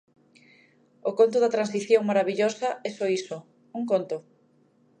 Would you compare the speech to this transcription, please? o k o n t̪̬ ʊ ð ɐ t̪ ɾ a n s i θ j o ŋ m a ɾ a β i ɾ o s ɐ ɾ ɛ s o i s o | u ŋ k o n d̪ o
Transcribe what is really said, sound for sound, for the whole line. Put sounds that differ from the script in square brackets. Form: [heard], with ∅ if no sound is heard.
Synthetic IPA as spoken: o k o n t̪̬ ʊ ð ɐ t̪ ɾ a n s i θ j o ŋ m a ɾ a β i [ʎ] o s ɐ [∅] ɛ s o i s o | u ŋ k o n [t̪] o